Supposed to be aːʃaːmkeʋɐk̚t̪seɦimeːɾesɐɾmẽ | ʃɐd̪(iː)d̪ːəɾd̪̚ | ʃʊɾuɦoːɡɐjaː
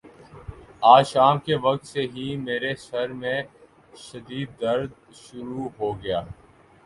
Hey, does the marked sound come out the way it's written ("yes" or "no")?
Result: yes